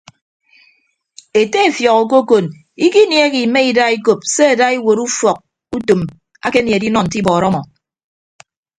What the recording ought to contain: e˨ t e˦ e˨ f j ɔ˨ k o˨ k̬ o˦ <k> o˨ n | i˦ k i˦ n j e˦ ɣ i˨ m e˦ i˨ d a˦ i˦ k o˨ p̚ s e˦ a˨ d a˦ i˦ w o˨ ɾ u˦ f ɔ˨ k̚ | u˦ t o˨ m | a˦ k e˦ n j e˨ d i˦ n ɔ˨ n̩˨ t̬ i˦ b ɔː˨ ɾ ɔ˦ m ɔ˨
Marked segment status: correct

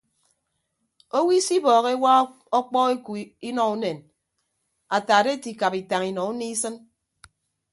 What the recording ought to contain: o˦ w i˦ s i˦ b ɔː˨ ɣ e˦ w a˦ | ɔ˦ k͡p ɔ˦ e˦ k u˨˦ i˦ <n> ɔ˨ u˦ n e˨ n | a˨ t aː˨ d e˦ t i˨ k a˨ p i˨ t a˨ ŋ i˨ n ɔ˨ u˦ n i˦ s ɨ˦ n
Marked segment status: correct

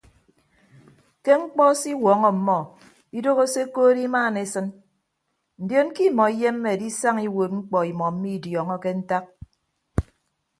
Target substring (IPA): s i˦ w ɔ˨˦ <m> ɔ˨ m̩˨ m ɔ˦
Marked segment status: incorrect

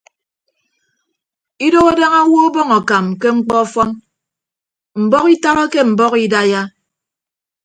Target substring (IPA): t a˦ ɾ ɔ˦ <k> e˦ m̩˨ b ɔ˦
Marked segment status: correct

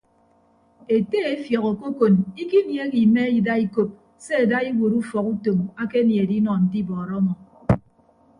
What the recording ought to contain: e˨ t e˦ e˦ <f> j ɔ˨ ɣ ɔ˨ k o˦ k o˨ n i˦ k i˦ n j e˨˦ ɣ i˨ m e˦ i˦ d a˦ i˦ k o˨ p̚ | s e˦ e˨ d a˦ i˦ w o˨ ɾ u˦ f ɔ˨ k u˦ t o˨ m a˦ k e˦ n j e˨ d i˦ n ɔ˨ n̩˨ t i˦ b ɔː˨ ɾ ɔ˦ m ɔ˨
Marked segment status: correct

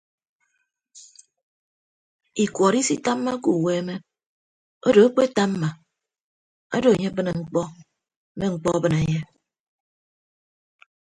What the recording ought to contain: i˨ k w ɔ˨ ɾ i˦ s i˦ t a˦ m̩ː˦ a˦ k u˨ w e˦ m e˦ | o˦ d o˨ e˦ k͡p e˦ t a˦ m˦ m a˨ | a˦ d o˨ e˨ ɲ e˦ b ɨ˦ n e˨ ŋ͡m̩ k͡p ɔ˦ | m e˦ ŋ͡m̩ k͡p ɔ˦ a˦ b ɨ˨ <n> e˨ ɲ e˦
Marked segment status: correct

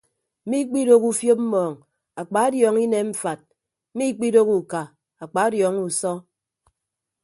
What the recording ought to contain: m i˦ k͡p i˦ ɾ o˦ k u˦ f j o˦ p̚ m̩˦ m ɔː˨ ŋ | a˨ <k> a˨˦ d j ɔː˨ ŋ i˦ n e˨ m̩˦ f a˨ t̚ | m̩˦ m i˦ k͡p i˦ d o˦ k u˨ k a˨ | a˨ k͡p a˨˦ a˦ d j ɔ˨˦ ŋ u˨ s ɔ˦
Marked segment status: incorrect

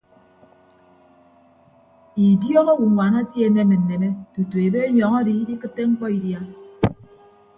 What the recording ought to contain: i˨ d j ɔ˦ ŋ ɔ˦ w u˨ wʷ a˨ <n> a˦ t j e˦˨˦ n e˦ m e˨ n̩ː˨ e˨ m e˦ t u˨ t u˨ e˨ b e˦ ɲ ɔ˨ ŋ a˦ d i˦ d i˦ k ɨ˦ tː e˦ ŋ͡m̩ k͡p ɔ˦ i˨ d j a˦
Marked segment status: correct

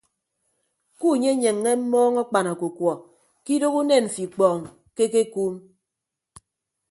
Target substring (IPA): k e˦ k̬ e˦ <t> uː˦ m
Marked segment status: incorrect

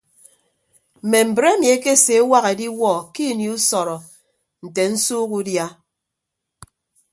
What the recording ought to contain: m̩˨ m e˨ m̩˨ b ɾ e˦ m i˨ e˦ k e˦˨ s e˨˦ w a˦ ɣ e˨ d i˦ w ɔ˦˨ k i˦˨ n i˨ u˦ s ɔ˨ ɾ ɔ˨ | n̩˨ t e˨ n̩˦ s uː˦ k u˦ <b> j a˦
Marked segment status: incorrect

